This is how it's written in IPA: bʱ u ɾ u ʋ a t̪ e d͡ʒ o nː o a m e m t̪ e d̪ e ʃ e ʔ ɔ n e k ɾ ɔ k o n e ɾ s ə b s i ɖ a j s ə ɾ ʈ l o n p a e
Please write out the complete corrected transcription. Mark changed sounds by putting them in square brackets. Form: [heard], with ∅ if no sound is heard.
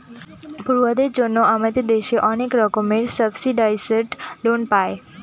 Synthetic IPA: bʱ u ɾ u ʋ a [d̪] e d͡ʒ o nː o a m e [∅] t̪ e d̪ e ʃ e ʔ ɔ n e k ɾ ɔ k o [m] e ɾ s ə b s i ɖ a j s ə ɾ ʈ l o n p a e